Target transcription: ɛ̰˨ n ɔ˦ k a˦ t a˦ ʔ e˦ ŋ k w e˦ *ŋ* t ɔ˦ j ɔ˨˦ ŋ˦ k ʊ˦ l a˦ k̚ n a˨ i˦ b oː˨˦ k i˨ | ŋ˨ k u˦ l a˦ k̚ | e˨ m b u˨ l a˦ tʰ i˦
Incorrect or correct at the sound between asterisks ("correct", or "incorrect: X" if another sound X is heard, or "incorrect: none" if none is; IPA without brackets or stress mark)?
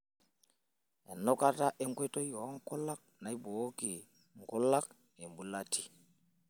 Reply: incorrect: none